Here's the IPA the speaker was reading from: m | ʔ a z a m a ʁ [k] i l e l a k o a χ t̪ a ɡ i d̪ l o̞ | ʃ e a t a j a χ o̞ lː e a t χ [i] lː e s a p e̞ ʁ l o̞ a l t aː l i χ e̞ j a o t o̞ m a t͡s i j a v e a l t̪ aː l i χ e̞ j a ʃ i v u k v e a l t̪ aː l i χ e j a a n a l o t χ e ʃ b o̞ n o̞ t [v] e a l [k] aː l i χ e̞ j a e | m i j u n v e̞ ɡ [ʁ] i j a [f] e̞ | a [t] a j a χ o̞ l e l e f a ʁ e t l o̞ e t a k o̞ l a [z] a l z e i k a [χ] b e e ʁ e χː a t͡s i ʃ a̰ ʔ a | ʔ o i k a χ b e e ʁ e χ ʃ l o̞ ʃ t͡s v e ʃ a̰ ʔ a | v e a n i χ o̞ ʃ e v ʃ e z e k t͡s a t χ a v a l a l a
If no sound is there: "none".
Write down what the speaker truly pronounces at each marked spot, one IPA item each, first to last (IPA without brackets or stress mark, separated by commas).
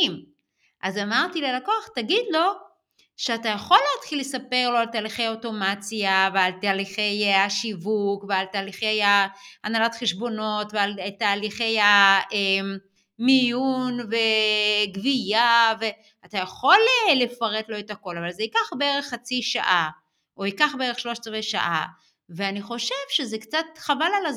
t, i, v, t, v, v, t, v, χ